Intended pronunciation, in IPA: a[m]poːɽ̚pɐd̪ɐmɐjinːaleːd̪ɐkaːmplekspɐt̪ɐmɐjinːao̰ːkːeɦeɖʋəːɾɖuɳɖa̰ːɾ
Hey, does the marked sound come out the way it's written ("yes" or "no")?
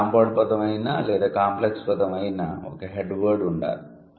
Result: yes